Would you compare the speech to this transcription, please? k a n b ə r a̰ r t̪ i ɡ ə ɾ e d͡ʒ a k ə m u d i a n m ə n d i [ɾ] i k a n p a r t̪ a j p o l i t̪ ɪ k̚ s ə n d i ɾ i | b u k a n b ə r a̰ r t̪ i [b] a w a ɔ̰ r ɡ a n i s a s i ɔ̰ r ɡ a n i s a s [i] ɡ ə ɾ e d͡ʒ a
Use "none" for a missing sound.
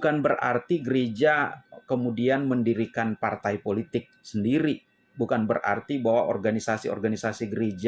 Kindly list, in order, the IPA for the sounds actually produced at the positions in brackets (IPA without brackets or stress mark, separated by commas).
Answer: ɾ, b, i